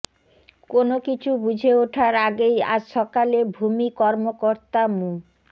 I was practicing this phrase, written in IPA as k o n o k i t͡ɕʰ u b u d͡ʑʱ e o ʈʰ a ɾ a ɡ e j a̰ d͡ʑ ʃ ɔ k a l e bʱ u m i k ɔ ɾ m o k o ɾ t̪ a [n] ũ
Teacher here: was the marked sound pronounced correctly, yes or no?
no